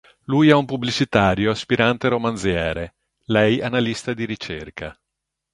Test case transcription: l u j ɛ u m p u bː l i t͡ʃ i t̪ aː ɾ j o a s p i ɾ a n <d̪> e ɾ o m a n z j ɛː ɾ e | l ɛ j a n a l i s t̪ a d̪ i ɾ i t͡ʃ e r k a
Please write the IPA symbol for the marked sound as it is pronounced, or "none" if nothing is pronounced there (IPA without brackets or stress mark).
t̪